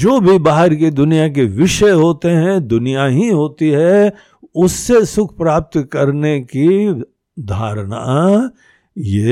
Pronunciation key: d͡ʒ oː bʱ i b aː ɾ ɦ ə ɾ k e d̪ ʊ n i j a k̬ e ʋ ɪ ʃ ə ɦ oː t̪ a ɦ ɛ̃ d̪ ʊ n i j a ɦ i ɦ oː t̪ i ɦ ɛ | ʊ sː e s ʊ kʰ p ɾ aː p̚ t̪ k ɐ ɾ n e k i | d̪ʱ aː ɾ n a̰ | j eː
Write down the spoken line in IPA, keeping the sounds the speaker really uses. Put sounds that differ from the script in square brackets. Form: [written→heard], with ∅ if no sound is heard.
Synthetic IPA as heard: d͡ʒ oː bʱ i b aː [ɾ→∅] ɦ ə ɾ k e d̪ ʊ n i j a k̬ e ʋ ɪ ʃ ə ɦ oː t̪ [a→e] ɦ ɛ̃ d̪ ʊ n i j a ɦ i ɦ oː t̪ i ɦ ɛ | ʊ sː e s ʊ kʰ p ɾ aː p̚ t̪ k ɐ ɾ n e k i | d̪ʱ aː ɾ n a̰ | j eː